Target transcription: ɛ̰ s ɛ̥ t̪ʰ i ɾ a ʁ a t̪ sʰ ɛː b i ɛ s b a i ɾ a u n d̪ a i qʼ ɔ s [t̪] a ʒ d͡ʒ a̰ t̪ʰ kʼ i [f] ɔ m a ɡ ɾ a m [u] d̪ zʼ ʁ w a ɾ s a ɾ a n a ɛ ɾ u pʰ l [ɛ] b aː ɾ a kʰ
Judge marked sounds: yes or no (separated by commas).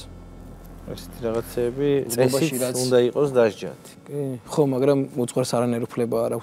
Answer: no, no, yes, yes